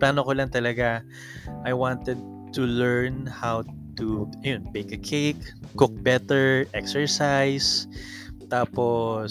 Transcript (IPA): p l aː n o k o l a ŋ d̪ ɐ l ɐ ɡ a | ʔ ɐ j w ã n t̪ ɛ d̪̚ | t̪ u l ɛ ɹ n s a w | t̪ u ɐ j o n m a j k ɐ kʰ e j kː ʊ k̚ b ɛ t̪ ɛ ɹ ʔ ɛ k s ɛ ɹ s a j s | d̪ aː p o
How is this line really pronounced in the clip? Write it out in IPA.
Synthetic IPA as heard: p l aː n o k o l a ŋ t̪ ɐ l ɐ ɡ a | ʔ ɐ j w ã n t̪ ɛ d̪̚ | t̪ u l ɛ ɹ n h a w | t̪ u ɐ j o n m e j k ɐ kʰ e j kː ʊ k̚ b ɛ t̪ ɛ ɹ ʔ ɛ k s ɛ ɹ s a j s | t̪ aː p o